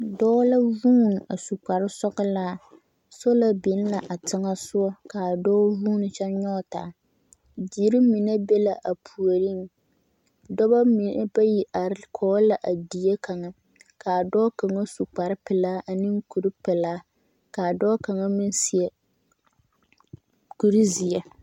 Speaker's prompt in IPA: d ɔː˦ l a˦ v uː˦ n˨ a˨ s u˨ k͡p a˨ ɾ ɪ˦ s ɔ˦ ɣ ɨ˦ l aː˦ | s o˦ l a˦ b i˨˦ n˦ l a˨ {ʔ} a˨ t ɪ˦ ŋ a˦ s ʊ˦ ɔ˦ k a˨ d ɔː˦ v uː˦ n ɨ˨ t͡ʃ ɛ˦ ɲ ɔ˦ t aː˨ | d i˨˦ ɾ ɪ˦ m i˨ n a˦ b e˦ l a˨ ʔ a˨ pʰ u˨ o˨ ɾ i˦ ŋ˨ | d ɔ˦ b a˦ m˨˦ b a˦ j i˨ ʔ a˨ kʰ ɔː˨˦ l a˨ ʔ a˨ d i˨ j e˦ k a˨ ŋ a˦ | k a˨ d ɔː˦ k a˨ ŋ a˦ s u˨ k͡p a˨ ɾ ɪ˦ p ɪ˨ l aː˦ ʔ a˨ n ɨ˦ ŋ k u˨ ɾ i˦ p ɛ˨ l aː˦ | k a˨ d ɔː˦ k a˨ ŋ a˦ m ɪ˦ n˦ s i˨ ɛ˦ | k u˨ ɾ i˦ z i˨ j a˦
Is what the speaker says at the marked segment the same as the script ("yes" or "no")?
yes